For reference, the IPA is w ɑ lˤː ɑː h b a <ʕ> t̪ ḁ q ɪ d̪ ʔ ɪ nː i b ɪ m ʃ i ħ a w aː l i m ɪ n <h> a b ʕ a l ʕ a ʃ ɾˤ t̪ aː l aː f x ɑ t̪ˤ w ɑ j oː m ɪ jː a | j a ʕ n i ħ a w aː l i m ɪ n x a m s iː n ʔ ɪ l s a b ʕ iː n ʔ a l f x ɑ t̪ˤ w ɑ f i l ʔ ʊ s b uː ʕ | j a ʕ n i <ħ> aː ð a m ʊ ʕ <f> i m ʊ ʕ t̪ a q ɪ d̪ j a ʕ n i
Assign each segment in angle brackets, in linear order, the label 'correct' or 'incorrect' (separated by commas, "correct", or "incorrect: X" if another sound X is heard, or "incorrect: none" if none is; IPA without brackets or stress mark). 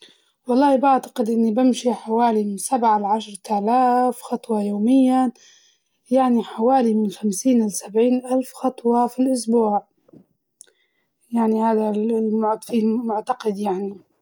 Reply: correct, incorrect: s, incorrect: h, correct